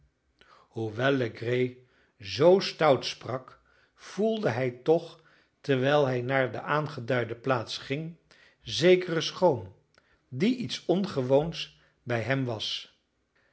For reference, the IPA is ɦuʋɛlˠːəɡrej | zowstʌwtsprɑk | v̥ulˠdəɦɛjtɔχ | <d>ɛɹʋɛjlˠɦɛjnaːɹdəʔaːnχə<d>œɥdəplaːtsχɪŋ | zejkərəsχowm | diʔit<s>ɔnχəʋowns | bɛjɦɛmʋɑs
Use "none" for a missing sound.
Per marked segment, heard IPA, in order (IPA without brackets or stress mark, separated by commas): t, d, s